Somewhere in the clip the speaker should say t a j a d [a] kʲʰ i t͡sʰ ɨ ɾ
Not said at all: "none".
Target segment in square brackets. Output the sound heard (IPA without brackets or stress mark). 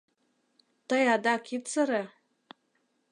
a